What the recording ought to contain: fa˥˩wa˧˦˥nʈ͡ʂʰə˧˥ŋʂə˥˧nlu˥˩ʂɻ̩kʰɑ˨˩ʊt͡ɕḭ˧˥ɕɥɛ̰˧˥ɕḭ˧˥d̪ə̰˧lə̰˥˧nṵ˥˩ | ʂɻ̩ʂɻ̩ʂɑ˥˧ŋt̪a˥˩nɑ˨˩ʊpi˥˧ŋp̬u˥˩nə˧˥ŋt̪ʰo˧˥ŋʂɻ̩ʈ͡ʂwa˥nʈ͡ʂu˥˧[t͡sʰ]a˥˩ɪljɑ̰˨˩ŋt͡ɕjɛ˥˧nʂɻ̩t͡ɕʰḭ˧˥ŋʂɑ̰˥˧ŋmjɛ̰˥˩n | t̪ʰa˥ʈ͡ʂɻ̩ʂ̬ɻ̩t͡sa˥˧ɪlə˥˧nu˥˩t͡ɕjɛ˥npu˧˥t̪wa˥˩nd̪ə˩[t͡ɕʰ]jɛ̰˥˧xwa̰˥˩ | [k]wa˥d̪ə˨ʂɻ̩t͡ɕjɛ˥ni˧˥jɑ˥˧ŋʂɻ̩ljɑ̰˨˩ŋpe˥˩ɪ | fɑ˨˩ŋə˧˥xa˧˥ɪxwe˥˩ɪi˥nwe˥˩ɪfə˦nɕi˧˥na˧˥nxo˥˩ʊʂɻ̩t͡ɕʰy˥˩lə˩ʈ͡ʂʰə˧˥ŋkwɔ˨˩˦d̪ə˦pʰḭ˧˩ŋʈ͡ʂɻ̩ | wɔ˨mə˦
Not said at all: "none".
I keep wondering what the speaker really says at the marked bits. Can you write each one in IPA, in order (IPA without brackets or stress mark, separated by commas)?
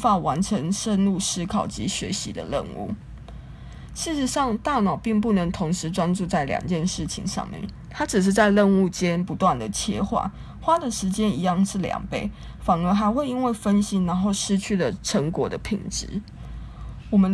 t͡s, t͡ɕʰ, x